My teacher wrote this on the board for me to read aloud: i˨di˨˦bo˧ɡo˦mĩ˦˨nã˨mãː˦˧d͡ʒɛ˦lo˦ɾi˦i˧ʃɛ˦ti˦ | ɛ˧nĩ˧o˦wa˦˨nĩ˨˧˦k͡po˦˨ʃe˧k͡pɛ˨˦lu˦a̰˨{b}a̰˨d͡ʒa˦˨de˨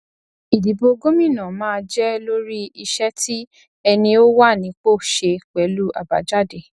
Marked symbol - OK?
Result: yes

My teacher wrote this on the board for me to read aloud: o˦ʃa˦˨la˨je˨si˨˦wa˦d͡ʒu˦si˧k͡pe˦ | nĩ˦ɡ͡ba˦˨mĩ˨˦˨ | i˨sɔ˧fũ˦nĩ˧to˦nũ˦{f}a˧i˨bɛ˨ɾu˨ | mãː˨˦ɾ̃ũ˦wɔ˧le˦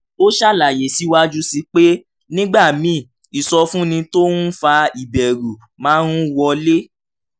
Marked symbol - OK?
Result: yes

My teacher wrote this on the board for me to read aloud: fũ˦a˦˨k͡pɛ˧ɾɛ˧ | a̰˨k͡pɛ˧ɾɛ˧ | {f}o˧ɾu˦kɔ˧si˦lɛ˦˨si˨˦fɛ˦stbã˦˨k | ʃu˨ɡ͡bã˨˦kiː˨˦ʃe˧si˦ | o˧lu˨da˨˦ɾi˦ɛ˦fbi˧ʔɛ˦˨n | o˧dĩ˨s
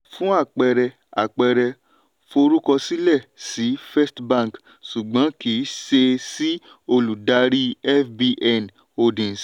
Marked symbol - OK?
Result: yes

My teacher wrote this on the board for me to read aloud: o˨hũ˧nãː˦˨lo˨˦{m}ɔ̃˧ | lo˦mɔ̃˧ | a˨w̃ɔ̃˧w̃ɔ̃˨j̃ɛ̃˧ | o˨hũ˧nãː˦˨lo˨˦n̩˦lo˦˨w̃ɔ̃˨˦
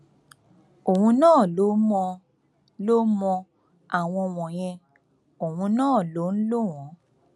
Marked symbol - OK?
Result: yes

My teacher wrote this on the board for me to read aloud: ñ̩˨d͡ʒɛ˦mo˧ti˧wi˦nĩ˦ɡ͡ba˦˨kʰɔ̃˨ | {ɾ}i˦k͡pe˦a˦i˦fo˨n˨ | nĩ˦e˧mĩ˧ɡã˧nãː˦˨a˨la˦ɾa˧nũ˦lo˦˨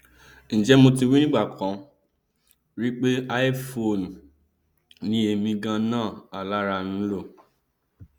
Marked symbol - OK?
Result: yes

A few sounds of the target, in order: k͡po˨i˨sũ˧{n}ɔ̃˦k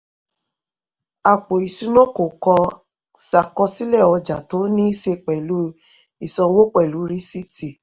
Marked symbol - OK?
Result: yes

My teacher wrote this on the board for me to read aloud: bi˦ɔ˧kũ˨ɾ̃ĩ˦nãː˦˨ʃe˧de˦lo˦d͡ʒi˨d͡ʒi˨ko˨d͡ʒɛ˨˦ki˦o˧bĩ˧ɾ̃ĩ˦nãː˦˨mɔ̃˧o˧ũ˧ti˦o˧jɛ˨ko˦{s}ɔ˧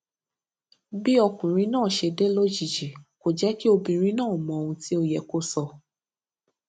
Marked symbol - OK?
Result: yes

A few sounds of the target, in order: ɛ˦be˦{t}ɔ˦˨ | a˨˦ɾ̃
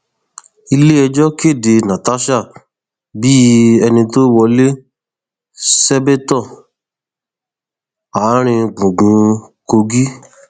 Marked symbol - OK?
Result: yes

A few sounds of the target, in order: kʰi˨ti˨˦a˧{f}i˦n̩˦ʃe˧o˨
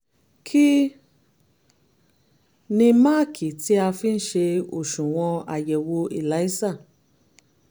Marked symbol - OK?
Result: yes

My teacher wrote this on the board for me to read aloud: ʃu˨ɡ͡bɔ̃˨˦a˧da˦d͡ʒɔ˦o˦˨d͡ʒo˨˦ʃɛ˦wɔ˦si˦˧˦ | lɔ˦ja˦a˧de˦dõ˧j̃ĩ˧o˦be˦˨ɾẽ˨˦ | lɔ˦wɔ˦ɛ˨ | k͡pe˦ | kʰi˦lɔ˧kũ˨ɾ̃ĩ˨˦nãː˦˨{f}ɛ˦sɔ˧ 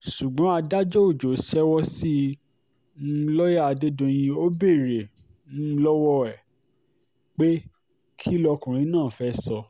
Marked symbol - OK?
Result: yes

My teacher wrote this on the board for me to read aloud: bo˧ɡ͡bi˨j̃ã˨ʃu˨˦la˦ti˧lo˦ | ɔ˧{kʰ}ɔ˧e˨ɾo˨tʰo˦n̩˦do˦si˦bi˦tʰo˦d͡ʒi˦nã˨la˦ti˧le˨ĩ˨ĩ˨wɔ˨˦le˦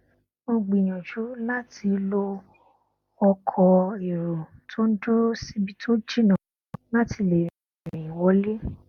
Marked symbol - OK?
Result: yes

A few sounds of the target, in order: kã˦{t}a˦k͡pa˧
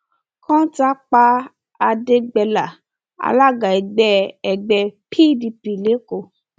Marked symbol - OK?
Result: yes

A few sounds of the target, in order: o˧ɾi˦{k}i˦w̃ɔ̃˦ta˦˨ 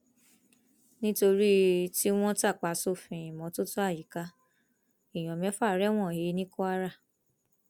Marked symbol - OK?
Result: no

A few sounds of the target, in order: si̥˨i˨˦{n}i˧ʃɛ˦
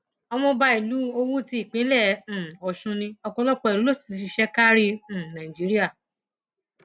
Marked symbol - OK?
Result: no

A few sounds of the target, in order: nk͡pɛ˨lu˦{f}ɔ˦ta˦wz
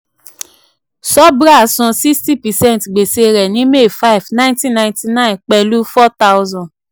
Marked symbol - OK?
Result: yes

